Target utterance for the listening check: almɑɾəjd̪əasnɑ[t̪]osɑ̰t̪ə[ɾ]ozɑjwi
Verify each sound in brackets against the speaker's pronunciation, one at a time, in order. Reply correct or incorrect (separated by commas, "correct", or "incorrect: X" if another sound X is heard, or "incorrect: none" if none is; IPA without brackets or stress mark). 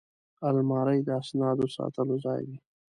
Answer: incorrect: d̪, incorrect: l